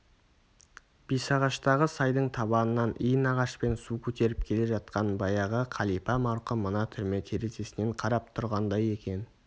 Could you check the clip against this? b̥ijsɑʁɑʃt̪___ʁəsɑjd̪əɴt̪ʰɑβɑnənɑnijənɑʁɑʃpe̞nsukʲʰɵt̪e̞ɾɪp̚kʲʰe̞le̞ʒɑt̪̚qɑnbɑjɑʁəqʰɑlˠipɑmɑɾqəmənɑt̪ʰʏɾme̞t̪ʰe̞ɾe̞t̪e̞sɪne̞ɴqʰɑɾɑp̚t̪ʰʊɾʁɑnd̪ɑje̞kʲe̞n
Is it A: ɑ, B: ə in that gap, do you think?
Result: A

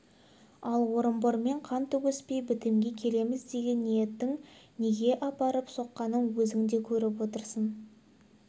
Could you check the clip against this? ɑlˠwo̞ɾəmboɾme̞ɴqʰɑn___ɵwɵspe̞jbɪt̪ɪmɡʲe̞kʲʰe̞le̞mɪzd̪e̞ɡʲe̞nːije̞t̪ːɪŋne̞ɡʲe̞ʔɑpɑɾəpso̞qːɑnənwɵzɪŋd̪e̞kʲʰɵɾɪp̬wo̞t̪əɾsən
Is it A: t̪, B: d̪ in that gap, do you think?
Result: A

